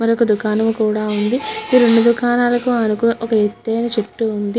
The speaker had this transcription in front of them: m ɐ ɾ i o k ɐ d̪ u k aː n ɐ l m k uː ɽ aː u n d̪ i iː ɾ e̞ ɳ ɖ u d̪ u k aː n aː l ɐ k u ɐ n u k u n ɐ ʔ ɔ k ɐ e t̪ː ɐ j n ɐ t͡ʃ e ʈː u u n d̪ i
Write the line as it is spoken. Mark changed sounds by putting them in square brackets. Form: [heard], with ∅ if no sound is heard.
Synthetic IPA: m ɐ ɾ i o k ɐ d̪ u k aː n ɐ [∅] m k uː ɽ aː u n d̪ i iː ɾ e̞ ɳ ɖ u d̪ u k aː n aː l ɐ k u ɐ n u k u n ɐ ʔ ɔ k ɐ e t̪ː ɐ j n ɐ t͡ʃ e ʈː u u n d̪ i

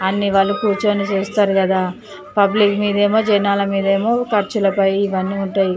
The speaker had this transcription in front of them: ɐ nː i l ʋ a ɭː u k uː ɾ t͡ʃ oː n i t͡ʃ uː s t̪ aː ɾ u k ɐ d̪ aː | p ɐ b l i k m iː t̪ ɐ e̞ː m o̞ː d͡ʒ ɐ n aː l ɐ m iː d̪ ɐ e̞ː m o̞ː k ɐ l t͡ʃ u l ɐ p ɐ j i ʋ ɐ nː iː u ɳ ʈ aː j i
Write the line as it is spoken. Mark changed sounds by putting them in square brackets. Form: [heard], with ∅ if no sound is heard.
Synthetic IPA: ɐ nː i [∅] ʋ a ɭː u k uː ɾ t͡ʃ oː n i t͡ʃ uː s t̪ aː ɾ u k ɐ d̪ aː | p ɐ b l i k m iː [d̪] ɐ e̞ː m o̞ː d͡ʒ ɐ n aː l ɐ m iː d̪ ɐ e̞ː m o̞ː k ɐ [ɾ] t͡ʃ u l ɐ p ɐ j i ʋ ɐ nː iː u ɳ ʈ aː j i

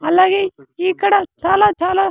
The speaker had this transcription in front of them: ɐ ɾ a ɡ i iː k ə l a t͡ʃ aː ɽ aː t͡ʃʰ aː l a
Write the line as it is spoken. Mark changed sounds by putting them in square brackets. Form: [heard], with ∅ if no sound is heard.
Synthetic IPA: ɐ [l] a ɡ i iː k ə [ɽ] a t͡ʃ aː [l] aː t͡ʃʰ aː l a

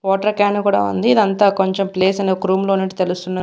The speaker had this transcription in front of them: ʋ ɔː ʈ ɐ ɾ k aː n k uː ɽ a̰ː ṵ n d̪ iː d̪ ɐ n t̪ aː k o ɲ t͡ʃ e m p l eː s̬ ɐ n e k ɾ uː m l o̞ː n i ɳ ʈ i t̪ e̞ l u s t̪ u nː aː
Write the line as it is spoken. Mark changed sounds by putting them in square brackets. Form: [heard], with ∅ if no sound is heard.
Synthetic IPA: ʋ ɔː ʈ ɐ ɾ k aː n k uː ɽ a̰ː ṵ n d̪ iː d̪ ɐ n t̪ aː k o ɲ t͡ʃ e m p l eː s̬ ɐ n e k ɾ uː m l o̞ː n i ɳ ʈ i t̪ e̞ l u s t̪ u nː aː

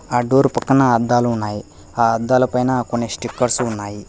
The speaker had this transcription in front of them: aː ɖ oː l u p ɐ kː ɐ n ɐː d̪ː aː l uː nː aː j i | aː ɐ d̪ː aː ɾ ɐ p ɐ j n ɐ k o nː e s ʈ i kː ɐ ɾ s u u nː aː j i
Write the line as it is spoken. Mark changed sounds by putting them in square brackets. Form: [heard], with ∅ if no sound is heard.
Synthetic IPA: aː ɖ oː [ɾ] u p ɐ kː ɐ n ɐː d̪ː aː l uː nː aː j i | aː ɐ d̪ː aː [l] ɐ p ɐ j n ɐ k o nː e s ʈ i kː ɐ ɾ s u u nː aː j i

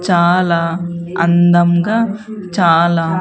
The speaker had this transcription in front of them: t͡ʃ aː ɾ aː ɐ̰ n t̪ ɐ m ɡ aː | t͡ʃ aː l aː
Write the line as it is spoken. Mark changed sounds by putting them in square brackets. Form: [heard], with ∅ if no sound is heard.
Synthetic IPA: t͡ʃ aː [l] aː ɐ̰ n [d̪] ɐ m ɡ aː | t͡ʃ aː l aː

